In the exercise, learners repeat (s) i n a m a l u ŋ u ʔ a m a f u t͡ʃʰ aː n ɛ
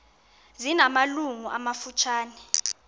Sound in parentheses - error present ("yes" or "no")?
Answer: yes